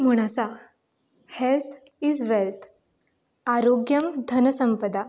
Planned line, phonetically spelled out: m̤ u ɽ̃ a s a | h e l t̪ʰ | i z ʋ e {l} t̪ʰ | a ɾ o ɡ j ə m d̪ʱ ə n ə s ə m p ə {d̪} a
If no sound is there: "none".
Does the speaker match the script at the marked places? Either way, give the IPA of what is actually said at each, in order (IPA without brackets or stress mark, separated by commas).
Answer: l, d̪